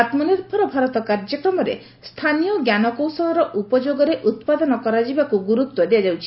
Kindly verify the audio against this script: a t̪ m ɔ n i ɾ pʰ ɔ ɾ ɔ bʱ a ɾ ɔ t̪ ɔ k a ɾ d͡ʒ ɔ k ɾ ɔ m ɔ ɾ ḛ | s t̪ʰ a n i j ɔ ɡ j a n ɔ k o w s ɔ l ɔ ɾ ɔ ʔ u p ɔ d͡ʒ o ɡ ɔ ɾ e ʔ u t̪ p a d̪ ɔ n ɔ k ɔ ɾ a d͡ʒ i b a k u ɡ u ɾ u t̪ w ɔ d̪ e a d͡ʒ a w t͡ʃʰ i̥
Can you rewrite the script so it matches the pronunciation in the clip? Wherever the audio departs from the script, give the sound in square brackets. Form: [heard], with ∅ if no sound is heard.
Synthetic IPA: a t̪ m ɔ n i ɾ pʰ ɔ ɾ ɔ bʱ a ɾ ɔ t̪ ɔ k a ɾ d͡ʒ ɔ k ɾ ɔ m ɔ ɾ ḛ | s t̪ʰ a n i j ɔ ɡ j a n ɔ k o w s ɔ l ɔ ɾ ɔ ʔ u p ɔ d͡ʒ o ɡ ɔ ɾ e ʔ u t̪ p a d̪ ɔ n ɔ k ɔ ɾ a d͡ʒ i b a k u ɡ u ɾ u t̪ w ɔ d̪ e a d͡ʒ a w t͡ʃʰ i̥

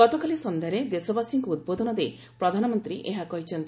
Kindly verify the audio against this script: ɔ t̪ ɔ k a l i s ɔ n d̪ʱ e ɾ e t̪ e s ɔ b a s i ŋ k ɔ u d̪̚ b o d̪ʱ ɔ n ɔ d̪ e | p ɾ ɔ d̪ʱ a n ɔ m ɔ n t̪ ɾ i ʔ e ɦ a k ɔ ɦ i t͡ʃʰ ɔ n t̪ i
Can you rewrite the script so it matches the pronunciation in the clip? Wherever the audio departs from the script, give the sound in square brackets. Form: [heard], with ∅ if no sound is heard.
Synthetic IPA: ɔ t̪ ɔ k a l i s ɔ n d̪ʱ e ɾ e [d̪] e s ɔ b a s i ŋ k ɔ u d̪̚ b o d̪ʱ ɔ n ɔ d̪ e | p ɾ ɔ d̪ʱ a n ɔ m ɔ n t̪ ɾ i ʔ e ɦ a k ɔ ɦ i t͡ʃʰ ɔ n t̪ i

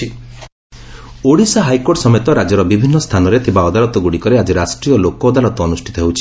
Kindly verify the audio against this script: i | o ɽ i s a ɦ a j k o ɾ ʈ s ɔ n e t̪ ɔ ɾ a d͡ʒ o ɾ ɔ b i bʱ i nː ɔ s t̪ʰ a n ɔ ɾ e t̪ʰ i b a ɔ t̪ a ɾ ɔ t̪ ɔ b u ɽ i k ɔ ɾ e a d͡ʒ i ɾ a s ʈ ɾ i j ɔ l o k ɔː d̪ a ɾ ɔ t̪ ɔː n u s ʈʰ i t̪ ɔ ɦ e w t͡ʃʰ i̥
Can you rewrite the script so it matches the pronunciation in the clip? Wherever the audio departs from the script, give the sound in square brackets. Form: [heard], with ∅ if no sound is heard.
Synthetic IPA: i | o ɽ i s a ɦ a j k o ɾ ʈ s ɔ [m] e t̪ ɔ ɾ a d͡ʒ [ɔ] ɾ ɔ b i bʱ i nː ɔ s t̪ʰ a n ɔ ɾ e t̪ʰ i b a ɔ [d̪] a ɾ ɔ t̪ ɔ [ɡ] u ɽ i k ɔ ɾ e a d͡ʒ i ɾ a s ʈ ɾ i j ɔ l o k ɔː d̪ a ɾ ɔ t̪ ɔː n u s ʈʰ i t̪ ɔ ɦ e w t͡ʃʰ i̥

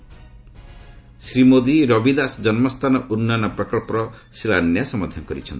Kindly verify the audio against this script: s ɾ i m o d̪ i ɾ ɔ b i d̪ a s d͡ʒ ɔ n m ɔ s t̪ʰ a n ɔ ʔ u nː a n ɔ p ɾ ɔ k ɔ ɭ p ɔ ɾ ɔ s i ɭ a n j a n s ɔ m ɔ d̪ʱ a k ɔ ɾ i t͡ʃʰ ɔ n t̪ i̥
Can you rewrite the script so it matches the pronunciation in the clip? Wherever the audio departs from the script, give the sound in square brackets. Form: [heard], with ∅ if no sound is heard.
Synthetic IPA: s ɾ i m o d̪ i ɾ ɔ b i d̪ a s d͡ʒ ɔ n m ɔ s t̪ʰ a n ɔ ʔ u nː a n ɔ p ɾ ɔ k ɔ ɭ p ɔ ɾ ɔ s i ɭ a n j a [∅] s ɔ m ɔ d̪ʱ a k ɔ ɾ i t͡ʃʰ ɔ n t̪ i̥

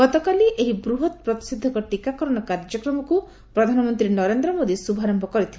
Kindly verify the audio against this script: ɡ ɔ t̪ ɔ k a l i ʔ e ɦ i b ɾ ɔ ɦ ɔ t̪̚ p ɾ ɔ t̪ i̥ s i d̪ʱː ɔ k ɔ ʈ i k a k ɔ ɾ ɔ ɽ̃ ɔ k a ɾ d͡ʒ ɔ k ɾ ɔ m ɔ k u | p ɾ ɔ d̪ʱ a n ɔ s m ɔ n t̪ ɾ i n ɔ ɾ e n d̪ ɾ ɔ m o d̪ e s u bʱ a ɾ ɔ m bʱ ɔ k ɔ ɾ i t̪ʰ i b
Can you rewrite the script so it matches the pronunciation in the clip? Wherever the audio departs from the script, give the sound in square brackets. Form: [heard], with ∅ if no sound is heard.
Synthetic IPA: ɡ ɔ t̪ ɔ k a l i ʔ e ɦ i b ɾ [u] ɦ ɔ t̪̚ p ɾ ɔ t̪ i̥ s i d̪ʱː ɔ k ɔ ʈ i k a k ɔ ɾ ɔ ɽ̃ ɔ k a ɾ d͡ʒ ɔ k ɾ ɔ m ɔ k u | p ɾ ɔ d̪ʱ a n ɔ [∅] m ɔ n t̪ ɾ i n ɔ ɾ e n d̪ ɾ ɔ m o d̪ [i] s u bʱ a ɾ ɔ m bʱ ɔ k ɔ ɾ i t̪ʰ i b

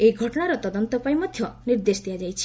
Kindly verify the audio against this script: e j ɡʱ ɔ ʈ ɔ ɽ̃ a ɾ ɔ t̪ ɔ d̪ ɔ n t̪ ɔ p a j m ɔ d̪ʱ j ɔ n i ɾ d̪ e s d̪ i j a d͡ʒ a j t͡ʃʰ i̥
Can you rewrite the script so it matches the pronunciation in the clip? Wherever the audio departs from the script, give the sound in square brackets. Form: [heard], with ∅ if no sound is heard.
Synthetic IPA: e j ɡʱ ɔ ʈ ɔ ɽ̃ a ɾ ɔ t̪ ɔ d̪ ɔ n t̪ ɔ p a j m ɔ d̪ʱ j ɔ n i ɾ d̪ e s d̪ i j a d͡ʒ a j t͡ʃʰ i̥

